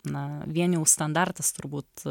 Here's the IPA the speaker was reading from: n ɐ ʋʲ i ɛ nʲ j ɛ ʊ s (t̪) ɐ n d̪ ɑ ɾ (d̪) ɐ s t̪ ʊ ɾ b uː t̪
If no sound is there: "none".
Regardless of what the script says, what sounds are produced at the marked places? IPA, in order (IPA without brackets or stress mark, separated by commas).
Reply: t̪, t̪